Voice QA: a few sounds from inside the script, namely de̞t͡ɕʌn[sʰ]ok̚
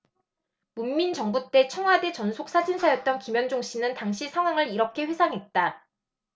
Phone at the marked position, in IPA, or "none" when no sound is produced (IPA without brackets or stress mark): sʰ